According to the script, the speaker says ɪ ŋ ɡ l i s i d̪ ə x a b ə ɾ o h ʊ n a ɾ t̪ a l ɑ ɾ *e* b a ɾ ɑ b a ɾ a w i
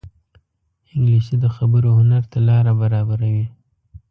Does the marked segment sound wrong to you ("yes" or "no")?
yes